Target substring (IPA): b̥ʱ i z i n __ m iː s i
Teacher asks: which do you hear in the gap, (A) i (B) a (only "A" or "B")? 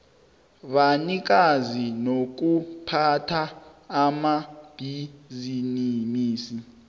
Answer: A